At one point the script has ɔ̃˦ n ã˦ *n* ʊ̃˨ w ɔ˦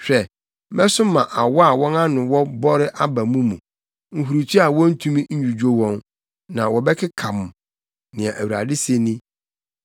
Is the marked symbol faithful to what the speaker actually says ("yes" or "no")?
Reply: yes